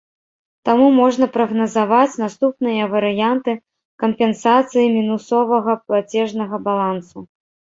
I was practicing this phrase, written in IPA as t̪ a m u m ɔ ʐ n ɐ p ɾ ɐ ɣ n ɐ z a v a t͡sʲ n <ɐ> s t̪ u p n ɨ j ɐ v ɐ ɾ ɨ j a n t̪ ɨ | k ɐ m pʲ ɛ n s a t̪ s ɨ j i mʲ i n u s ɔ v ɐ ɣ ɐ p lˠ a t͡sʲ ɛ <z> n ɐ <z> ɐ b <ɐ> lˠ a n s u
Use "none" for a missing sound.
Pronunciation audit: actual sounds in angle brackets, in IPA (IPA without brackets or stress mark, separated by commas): a, ʐ, ɣ, a